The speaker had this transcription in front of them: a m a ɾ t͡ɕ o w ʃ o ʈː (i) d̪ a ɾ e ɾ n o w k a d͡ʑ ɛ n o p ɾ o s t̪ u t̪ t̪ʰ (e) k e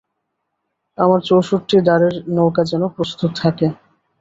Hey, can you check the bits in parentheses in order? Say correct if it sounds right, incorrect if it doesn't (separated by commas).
correct, incorrect